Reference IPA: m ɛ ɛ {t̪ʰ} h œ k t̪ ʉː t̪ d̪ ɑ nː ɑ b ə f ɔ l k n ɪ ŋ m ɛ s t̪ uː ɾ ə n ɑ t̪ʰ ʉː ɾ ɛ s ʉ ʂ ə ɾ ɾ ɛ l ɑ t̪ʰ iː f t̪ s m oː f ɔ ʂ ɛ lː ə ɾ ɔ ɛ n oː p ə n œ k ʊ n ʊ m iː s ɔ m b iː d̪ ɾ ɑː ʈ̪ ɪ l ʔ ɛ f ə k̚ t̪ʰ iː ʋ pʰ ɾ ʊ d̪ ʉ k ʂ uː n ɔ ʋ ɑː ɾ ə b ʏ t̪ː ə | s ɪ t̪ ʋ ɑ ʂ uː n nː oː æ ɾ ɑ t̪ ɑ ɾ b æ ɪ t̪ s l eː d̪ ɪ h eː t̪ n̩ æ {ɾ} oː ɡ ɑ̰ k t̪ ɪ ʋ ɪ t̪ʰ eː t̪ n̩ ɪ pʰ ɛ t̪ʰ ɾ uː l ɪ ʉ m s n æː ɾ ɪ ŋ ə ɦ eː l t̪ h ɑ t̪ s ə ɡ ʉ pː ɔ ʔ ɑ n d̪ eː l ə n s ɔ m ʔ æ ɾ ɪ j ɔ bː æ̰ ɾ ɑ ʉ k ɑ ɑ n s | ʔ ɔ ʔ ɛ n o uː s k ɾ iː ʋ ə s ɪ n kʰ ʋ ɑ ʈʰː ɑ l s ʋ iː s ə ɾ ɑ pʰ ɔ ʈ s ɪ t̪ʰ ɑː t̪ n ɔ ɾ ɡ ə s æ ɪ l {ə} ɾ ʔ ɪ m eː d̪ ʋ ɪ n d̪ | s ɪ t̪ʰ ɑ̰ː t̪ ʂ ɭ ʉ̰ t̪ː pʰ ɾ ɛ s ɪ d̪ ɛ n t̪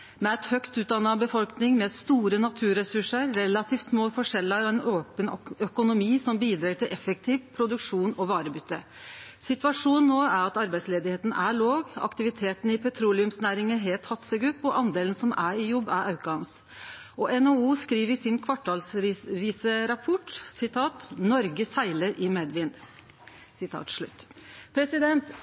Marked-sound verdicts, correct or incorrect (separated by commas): incorrect, incorrect, correct